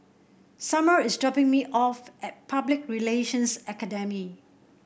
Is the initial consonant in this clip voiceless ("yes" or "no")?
yes